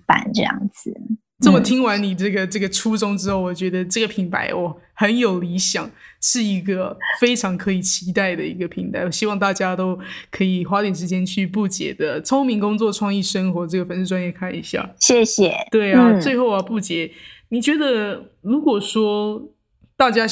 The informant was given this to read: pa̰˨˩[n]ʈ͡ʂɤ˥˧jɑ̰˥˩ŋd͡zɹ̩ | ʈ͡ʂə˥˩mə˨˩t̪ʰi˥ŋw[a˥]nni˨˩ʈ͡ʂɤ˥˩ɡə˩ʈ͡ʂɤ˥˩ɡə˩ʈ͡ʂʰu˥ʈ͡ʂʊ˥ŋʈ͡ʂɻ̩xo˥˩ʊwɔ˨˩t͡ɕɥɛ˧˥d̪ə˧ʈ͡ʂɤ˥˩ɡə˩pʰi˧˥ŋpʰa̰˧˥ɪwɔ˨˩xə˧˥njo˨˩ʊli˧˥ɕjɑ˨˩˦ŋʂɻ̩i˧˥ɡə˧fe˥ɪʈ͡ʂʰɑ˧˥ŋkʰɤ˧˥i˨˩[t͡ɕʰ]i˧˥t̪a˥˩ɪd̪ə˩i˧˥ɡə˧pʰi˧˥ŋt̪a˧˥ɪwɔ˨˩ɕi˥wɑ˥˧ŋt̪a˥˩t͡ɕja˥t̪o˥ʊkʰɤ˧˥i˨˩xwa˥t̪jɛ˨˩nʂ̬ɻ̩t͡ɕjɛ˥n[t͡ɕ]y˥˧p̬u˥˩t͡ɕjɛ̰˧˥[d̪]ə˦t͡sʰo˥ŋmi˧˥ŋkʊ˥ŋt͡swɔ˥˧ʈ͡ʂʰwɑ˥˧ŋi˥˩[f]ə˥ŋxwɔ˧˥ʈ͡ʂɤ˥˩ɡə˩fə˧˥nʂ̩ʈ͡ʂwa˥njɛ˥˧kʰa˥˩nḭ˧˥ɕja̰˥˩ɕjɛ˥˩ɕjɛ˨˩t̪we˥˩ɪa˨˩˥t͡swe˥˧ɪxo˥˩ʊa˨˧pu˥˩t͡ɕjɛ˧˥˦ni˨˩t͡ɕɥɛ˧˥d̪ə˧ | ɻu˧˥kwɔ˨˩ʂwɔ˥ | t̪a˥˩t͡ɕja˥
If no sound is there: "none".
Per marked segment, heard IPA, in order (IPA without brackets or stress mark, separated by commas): n, a˧˥, t͡ɕʰ, t͡ɕʰ, d̪, ʂ